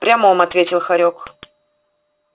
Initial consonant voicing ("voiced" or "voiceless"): voiceless